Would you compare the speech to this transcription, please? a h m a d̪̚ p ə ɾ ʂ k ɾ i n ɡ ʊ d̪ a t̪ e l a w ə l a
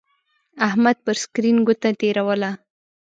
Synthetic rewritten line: a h m a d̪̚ p ə ɾ s k ɾ i n ɡ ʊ t̪ a t̪ e ɾ a w ə l a